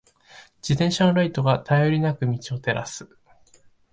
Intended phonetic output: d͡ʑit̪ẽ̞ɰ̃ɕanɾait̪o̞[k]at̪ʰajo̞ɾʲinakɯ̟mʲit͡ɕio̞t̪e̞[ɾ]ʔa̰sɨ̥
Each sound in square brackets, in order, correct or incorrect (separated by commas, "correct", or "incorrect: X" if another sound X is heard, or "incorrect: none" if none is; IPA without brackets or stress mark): incorrect: ɡ, correct